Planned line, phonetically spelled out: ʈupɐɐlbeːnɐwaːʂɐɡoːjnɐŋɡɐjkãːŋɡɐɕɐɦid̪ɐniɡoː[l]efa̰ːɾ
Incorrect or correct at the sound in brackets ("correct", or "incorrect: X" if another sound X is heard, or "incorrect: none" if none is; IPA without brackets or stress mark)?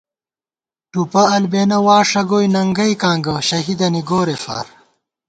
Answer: incorrect: ɾ